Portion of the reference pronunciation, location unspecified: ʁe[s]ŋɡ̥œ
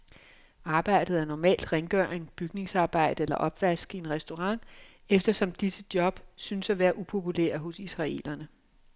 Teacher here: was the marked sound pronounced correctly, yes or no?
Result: no